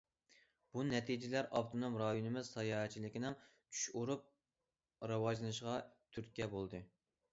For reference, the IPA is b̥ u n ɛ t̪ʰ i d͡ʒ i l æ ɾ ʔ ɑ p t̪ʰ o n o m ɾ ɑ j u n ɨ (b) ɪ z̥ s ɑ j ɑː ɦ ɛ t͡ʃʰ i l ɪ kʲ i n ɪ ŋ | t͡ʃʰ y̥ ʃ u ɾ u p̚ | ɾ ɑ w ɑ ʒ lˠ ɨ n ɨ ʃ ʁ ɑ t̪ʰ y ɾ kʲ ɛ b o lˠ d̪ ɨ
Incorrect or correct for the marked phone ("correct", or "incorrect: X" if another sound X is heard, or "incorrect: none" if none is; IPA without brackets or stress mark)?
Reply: incorrect: m